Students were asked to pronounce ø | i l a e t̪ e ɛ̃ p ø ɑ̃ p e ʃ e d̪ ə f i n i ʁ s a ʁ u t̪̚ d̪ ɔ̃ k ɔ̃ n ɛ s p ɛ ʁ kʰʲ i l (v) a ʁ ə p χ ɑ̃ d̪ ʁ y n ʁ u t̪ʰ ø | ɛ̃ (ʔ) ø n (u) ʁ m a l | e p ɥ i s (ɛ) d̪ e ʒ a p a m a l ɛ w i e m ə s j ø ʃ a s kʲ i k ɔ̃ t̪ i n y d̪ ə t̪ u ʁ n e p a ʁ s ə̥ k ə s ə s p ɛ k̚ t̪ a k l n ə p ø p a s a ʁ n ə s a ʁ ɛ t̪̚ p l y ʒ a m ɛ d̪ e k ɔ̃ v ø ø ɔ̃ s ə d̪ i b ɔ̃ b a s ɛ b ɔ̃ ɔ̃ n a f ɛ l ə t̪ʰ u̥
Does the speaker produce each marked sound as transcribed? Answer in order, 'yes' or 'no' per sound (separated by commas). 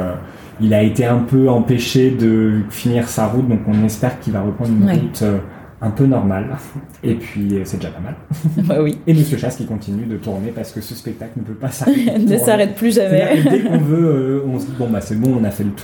yes, no, no, yes